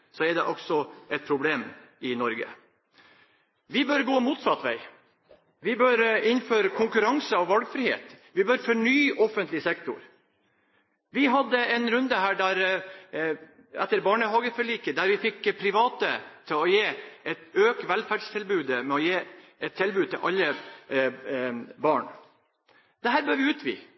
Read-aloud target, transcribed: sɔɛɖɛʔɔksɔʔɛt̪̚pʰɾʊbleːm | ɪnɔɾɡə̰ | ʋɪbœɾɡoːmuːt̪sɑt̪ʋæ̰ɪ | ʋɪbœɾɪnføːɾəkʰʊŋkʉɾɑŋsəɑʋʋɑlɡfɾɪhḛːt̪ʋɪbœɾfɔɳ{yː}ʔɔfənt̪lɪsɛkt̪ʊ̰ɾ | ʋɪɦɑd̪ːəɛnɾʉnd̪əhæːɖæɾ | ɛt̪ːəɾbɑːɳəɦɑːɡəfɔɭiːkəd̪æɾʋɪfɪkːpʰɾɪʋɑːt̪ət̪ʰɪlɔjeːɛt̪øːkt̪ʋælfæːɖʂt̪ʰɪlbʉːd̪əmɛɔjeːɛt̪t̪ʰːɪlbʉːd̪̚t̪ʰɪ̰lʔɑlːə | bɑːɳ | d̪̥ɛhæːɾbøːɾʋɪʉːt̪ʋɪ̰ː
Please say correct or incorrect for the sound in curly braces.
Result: correct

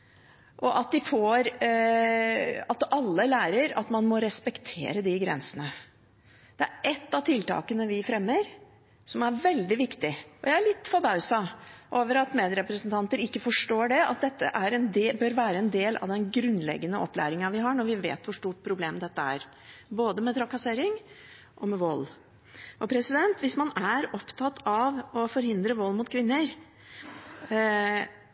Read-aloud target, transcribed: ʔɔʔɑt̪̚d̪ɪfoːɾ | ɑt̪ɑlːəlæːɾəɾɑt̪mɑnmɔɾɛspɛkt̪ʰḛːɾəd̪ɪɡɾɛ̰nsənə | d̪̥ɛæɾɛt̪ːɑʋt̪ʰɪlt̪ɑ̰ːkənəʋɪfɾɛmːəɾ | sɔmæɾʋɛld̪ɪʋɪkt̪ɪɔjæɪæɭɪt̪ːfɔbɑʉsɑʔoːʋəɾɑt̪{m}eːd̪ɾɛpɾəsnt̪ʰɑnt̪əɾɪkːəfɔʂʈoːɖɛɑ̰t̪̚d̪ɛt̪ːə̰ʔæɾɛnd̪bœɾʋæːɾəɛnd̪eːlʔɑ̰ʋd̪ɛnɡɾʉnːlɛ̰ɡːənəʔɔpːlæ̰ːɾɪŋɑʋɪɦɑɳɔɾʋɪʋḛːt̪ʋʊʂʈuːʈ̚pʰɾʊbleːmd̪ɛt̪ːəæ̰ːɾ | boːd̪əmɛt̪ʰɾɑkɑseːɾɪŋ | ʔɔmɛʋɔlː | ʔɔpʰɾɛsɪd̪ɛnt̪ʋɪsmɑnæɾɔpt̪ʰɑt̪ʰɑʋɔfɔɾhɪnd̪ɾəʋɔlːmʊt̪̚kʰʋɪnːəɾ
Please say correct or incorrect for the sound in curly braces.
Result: correct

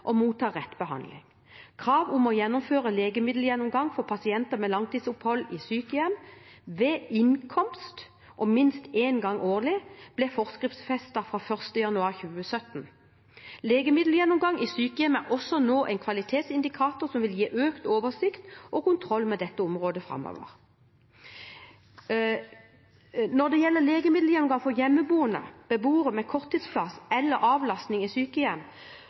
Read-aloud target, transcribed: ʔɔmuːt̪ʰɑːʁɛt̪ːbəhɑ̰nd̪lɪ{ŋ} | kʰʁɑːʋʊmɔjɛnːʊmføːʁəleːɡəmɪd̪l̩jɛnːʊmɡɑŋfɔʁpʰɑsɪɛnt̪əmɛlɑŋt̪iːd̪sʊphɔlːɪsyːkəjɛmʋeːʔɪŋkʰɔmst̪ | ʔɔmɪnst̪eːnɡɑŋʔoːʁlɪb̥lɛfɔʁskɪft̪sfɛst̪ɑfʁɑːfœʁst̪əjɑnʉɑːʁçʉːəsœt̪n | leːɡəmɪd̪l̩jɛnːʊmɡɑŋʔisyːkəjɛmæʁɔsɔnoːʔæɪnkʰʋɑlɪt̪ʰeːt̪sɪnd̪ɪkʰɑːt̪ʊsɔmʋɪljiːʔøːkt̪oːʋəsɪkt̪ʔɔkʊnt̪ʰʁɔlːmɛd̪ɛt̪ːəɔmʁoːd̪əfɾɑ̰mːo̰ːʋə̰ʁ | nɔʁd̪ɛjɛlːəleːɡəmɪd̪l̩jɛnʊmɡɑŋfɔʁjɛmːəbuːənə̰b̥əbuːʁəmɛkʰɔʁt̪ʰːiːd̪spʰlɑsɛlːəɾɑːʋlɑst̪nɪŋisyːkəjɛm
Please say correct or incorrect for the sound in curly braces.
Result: correct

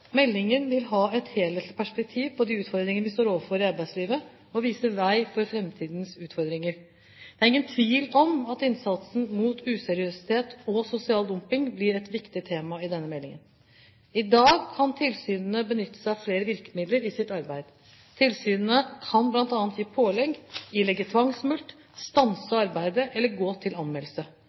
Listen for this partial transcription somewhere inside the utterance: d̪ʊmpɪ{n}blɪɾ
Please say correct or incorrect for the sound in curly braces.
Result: incorrect: ŋ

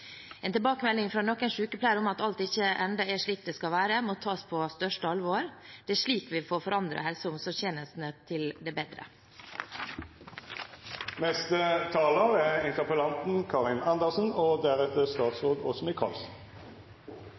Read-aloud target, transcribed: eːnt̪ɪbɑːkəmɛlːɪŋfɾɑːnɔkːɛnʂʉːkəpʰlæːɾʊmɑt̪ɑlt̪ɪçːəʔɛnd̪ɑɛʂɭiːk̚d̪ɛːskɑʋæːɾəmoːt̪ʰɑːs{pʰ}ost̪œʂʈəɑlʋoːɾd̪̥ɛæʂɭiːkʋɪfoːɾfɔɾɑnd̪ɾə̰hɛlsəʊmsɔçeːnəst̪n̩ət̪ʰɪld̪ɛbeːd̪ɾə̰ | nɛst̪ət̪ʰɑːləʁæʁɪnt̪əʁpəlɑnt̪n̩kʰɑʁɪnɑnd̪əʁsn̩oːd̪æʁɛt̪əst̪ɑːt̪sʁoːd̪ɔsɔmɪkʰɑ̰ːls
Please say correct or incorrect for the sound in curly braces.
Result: correct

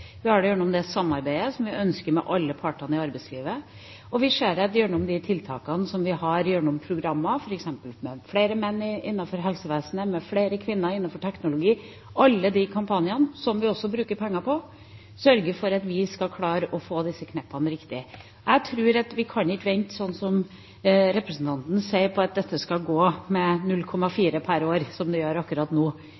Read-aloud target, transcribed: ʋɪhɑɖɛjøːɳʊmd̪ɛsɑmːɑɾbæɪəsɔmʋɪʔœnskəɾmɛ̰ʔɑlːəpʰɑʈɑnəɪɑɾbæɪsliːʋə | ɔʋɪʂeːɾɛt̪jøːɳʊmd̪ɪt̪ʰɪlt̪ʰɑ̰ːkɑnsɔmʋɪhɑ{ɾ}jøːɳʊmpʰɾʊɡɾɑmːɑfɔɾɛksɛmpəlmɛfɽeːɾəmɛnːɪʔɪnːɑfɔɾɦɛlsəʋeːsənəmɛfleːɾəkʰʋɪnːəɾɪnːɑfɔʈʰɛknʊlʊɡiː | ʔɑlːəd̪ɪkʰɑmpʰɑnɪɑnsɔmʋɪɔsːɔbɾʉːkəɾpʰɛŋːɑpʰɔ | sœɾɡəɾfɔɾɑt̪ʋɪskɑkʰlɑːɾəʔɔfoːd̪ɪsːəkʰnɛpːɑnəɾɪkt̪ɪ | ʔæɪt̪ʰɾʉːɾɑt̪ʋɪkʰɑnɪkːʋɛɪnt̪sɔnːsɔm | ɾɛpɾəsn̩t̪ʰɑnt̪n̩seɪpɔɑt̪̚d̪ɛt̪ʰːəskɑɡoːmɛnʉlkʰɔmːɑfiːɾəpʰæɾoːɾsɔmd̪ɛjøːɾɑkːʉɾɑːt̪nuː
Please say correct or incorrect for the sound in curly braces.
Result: correct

